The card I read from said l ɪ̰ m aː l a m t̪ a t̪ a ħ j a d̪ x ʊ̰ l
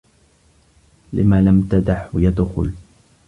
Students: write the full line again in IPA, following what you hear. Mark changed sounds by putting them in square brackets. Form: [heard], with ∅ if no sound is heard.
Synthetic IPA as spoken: l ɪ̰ m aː l a m t̪ a [d̪] a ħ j a d̪ x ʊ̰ l